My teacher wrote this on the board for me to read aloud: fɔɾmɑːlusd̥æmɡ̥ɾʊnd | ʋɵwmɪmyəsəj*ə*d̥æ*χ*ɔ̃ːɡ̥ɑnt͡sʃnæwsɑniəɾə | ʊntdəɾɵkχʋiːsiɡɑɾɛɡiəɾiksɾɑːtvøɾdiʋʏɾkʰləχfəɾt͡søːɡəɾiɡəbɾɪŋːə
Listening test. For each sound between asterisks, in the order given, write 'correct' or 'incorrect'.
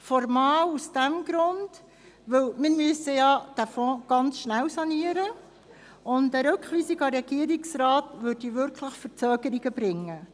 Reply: incorrect: ɑ, incorrect: f

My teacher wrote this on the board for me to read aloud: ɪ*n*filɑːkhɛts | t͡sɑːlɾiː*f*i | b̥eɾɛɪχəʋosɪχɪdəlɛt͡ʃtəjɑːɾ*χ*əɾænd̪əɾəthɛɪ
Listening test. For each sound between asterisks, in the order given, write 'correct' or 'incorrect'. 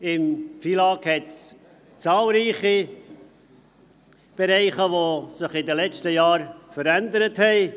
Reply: incorrect: m, incorrect: χ, incorrect: f

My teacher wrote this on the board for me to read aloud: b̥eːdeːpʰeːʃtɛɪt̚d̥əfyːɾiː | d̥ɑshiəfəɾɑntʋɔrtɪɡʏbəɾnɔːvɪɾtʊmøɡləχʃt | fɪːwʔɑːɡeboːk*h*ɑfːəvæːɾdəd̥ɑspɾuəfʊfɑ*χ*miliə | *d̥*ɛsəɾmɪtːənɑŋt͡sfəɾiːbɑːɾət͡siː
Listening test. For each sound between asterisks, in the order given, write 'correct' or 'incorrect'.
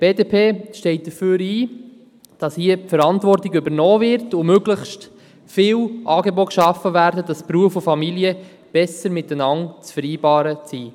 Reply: incorrect: ʃ, incorrect: none, incorrect: b̥

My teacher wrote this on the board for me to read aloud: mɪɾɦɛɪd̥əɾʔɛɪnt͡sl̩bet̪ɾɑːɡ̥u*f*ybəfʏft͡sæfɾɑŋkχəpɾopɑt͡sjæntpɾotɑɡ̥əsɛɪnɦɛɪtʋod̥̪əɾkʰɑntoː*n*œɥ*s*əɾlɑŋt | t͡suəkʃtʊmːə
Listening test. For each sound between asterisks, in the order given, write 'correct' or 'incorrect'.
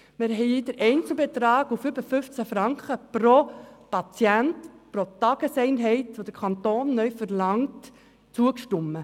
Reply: correct, incorrect: nː, incorrect: f

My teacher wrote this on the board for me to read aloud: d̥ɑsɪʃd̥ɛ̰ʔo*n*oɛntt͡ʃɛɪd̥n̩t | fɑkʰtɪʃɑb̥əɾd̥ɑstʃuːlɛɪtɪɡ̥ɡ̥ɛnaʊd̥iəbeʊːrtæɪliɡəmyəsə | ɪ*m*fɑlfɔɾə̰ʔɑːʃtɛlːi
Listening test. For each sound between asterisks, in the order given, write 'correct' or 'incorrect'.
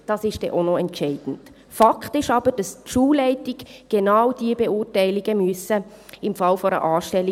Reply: correct, correct

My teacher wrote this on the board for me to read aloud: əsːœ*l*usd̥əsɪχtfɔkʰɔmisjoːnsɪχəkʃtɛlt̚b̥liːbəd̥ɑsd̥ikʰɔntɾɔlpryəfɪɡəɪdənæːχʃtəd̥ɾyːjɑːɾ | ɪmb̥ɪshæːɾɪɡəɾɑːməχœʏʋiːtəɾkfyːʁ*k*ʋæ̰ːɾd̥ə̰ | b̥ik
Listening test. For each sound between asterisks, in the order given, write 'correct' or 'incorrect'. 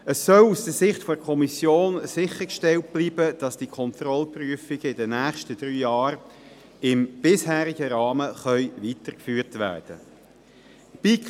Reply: correct, incorrect: t

